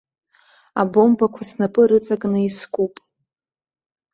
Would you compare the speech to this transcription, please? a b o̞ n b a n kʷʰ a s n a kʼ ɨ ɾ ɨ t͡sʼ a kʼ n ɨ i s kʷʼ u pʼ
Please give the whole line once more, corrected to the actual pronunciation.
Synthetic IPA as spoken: a b o̞ m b a kʷʰ a s n a pʼ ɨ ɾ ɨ t͡sʼ a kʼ n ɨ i s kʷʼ u pʼ

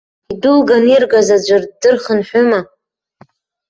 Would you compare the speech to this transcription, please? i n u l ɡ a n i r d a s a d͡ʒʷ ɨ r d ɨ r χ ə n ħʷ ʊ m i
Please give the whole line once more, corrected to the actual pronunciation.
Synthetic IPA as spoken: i d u l ɡ a n i r ɡ a z a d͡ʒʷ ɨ r d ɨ r χ ə n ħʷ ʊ m a

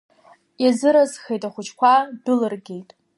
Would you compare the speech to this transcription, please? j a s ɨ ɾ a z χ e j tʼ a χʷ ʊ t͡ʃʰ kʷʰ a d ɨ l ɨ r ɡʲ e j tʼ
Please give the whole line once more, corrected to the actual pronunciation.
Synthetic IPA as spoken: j a z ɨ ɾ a z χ e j tʼ a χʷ ʊ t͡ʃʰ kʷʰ a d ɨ l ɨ r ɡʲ e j tʼ

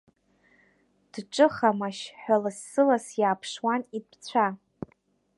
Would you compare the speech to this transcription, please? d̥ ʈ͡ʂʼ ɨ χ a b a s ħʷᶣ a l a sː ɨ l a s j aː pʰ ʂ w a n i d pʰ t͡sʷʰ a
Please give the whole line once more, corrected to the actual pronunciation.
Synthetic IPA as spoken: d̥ ʈ͡ʂʼ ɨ χ a m a ʃ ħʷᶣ a l a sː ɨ l a s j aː pʰ ʂ w a n i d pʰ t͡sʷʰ a

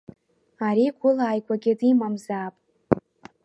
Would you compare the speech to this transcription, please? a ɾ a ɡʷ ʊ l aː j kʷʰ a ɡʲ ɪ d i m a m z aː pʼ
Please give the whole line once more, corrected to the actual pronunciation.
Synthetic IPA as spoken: a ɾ i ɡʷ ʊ l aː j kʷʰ a ɡʲ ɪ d i m a m z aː pʼ

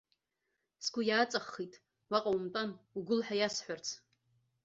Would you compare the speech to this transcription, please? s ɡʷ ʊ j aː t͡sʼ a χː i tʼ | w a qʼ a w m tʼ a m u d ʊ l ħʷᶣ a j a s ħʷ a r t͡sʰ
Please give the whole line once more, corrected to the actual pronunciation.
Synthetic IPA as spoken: s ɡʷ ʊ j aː t͡sʼ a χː i tʼ | w a qʼ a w m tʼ a n u ɡ ʊ l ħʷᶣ a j a s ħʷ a r t͡sʰ

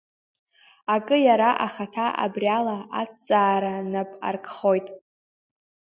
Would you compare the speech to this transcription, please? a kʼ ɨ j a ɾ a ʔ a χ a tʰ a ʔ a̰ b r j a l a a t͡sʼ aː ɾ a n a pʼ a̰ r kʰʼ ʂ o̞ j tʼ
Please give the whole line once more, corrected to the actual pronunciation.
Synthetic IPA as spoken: a kʼ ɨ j a ɾ a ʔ a χ a tʰ a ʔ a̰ b r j a l a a t͡sʼ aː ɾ a n a pʼ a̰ r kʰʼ χ o̞ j tʼ

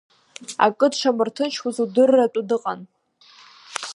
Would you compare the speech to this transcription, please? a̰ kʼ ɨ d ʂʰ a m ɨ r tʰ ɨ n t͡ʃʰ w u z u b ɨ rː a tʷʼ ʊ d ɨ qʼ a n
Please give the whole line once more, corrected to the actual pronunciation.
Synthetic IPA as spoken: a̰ kʼ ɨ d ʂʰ a m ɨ r tʰ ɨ n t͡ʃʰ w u z u d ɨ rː a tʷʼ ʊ d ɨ qʼ a n

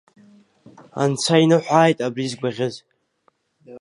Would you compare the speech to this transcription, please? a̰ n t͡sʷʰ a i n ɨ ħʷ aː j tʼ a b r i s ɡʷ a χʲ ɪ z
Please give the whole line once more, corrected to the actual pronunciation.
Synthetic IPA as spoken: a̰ n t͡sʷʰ a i n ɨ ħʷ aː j tʼ a b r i z ɡʷ a ʁʲ ɪ z

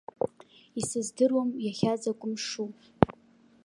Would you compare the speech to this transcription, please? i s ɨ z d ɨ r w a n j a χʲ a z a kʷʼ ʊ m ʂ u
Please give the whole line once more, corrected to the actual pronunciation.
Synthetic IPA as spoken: i s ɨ z d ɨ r w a m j a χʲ a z a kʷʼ ʊ m ʂ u

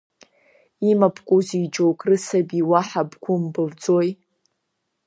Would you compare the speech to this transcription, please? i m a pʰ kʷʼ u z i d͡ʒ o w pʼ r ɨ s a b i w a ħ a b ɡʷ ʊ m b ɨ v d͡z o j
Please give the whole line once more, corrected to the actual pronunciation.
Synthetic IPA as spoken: i m a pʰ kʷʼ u z i d͡ʒ o w kʼ r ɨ s a b i w a ħ a b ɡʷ ʊ m b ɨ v d͡z o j

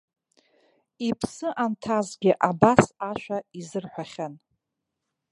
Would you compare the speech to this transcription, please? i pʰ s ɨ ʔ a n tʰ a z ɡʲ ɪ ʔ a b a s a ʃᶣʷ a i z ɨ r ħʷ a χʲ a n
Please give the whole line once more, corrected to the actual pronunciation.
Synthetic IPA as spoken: i pʰ s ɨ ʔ a n tʰ a z ɡʲ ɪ ʔ a b a s a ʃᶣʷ a i z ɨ r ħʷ a χʲ a n

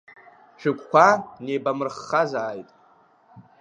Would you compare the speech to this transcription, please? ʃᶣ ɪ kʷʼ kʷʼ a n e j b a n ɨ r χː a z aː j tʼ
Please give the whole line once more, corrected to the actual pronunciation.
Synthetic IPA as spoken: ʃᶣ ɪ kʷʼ kʷ a n e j b a m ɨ r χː a z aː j tʼ

